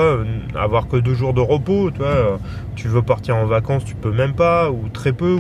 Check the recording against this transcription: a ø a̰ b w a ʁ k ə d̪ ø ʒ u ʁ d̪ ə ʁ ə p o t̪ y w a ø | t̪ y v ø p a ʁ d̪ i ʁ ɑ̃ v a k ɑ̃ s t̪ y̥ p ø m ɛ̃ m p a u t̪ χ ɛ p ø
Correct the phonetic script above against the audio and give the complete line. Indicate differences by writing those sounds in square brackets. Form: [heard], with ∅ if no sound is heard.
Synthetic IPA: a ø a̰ [v] w a ʁ k ə d̪ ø ʒ u ʁ d̪ ə ʁ ə p o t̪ y w a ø | t̪ y v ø p a ʁ [t̪] i ʁ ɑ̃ v a k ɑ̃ s t̪ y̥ p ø m [ɛ] m p a u t̪ χ ɛ p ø